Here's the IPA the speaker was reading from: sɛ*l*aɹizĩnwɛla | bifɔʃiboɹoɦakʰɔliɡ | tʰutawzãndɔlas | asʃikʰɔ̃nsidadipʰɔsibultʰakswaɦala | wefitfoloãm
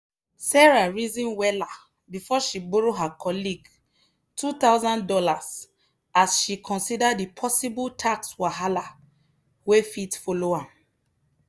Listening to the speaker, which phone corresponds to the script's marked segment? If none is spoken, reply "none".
ɹ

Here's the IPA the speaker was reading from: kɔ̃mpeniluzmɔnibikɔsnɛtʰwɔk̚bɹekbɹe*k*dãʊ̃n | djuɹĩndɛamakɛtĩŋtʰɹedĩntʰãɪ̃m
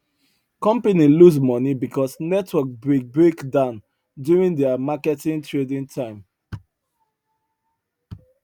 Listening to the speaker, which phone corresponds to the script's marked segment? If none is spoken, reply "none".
k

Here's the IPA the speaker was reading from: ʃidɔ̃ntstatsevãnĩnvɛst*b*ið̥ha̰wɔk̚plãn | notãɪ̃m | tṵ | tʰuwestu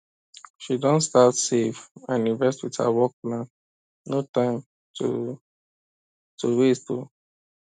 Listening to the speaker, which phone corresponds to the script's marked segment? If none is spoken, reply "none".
w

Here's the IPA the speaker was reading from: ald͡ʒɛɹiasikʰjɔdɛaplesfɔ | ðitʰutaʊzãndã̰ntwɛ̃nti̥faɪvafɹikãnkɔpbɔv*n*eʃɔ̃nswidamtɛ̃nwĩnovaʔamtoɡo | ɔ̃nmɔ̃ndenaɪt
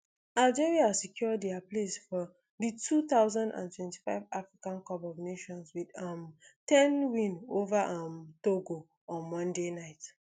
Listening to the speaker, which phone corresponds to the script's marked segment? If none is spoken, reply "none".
n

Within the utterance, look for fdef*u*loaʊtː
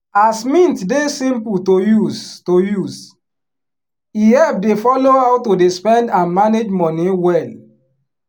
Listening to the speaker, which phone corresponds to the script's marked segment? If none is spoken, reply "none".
ɔ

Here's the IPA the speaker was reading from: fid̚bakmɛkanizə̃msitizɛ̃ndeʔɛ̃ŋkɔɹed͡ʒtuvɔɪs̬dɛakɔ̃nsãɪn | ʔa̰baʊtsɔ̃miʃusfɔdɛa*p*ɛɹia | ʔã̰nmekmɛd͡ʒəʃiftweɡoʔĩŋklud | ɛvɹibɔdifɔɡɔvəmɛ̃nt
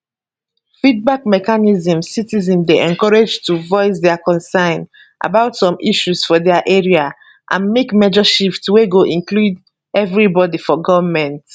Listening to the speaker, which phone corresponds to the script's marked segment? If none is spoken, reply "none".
ʔ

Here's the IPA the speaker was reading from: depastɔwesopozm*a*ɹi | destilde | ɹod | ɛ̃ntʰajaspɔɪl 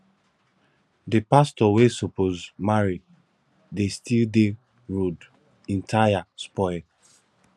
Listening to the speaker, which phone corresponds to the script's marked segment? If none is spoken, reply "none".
a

